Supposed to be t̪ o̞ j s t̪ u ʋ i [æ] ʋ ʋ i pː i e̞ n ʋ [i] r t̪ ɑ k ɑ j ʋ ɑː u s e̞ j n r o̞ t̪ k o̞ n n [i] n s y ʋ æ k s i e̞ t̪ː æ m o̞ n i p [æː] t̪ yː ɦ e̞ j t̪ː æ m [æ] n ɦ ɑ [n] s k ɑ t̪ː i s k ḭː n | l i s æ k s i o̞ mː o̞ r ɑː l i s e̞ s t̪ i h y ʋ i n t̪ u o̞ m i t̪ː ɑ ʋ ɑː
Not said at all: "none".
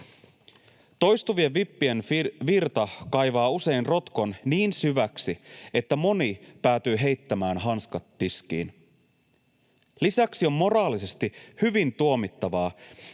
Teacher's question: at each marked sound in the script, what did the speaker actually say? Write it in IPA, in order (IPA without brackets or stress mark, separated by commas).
e, i, iː, æː, æː, n